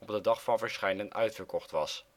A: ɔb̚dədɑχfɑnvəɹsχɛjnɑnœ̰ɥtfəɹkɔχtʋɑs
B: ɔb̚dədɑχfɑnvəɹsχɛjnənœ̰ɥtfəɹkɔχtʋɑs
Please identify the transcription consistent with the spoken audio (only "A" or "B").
B